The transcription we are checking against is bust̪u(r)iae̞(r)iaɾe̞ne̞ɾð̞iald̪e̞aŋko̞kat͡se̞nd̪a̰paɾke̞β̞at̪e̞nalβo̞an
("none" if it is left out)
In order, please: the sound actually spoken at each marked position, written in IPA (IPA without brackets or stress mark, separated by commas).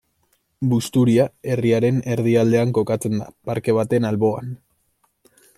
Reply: ɾ, r